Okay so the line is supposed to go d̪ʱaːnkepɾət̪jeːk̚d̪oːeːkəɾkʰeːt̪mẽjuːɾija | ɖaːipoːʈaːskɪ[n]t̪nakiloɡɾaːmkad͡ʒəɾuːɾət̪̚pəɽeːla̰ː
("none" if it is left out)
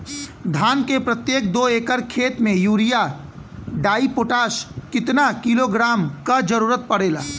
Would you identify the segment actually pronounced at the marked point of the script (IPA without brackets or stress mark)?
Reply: none